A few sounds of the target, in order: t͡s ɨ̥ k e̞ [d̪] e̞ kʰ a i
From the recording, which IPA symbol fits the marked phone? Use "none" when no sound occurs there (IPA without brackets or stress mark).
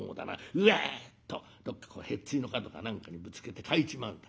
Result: t̪